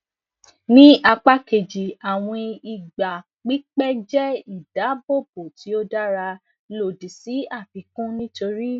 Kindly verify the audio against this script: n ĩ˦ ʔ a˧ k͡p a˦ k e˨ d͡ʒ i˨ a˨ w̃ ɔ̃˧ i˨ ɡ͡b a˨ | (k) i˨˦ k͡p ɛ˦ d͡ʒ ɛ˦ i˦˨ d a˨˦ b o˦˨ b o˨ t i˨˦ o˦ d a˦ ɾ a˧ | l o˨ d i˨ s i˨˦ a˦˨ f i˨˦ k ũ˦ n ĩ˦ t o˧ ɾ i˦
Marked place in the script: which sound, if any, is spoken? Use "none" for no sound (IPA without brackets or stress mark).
k͡p